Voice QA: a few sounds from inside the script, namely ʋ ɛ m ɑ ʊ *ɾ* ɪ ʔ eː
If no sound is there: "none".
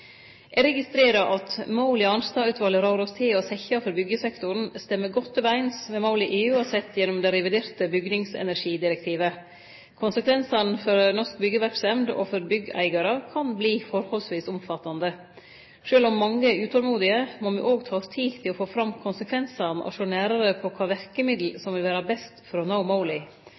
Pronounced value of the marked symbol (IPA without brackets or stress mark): l